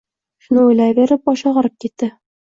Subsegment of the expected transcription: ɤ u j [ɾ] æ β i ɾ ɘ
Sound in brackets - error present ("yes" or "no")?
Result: yes